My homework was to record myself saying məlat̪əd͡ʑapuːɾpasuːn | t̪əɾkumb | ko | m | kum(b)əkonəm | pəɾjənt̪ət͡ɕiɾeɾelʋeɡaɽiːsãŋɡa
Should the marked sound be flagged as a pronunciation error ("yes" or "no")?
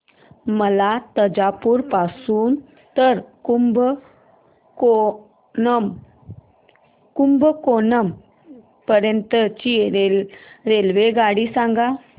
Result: no